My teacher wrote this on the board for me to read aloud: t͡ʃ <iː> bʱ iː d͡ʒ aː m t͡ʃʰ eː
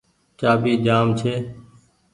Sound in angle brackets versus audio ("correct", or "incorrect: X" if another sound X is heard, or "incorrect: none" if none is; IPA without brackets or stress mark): incorrect: aː